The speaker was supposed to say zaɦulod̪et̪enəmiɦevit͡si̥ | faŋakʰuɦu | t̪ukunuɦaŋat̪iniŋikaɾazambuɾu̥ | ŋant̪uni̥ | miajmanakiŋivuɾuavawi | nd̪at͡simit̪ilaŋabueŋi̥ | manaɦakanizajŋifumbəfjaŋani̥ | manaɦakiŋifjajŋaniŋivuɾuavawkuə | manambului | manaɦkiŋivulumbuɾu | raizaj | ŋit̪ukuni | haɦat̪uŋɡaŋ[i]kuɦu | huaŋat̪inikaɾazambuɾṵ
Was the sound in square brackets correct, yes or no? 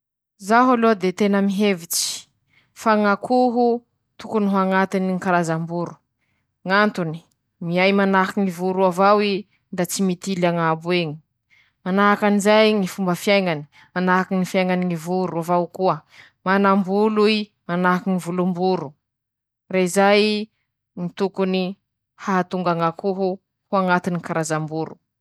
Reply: no